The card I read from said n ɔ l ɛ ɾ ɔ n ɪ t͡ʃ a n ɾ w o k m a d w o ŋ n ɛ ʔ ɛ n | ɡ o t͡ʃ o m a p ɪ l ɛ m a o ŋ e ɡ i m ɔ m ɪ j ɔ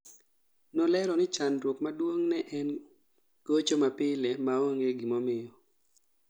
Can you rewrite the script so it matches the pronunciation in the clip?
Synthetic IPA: n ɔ l ɛ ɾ ɔ n ɪ t͡ʃ a n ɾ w o k m a d w o ŋ n ɛ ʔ ɛ n | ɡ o t͡ʃ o m a p ɪ l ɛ m a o ŋ e ɡ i m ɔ m ɪ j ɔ

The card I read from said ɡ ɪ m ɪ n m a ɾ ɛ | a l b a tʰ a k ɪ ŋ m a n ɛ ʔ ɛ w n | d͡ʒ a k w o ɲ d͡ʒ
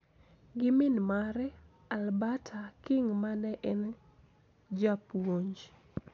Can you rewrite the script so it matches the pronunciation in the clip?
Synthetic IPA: ɡ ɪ m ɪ n m a ɾ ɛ | a l b a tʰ a k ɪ ŋ m a n ɛ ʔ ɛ n | d͡ʒ a p w o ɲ d͡ʒ

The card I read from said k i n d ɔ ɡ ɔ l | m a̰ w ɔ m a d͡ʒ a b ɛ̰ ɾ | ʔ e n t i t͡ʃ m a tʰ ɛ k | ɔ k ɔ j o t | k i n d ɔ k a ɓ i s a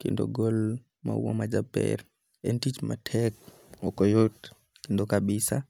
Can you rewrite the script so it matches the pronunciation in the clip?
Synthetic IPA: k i n d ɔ ɡ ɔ l | m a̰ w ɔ m a d͡ʒ a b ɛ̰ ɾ | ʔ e n t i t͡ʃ m a tʰ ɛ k | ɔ k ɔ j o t | k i n d ɔ k a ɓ i s a

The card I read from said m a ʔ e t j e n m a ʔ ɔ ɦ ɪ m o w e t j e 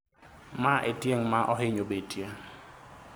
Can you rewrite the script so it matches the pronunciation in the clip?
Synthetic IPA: m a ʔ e t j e ŋ m a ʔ ɔ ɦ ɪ ɲ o b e t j e

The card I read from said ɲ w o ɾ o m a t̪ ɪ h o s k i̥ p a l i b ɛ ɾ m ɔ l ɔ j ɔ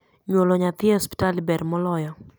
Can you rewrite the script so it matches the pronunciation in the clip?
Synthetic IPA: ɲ w o l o ɲ a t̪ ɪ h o s p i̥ t a l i b ɛ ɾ m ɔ l ɔ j ɔ

